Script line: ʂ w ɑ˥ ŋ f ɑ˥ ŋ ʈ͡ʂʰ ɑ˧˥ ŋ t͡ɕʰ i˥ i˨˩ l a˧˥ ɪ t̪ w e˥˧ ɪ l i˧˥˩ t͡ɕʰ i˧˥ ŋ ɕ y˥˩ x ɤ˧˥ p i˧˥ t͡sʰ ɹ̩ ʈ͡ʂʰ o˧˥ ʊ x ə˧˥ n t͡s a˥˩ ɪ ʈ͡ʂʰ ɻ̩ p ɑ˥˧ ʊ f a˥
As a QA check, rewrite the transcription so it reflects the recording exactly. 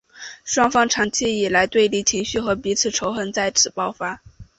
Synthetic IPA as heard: ʂ w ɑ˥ ŋ f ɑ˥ ŋ ʈ͡ʂʰ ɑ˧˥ ŋ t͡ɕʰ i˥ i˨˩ l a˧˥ ɪ t̪ w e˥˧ ɪ l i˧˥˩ t͡ɕʰ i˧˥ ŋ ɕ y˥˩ x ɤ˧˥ p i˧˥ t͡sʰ ɹ̩ ʈ͡ʂʰ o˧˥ ʊ x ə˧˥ n t͡s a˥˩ ɪ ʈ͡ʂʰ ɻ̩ p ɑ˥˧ ʊ f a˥